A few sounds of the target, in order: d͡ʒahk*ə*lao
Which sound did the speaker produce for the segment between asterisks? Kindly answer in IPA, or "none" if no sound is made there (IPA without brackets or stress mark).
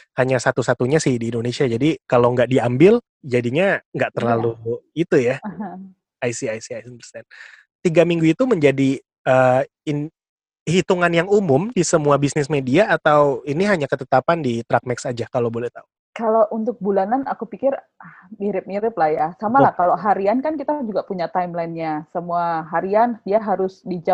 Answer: a